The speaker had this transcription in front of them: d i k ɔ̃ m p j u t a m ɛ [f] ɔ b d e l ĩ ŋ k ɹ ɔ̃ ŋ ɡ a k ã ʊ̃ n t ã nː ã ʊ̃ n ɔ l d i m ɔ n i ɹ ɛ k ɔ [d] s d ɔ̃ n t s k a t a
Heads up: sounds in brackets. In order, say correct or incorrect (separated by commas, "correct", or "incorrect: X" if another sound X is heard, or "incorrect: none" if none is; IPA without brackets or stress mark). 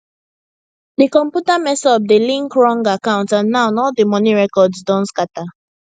incorrect: s, correct